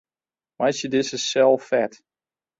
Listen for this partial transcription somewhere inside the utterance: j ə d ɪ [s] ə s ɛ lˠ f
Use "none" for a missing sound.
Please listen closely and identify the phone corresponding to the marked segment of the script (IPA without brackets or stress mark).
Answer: s